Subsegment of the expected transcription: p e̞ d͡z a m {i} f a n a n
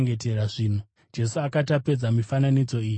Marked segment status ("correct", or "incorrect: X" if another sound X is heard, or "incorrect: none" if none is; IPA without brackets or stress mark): correct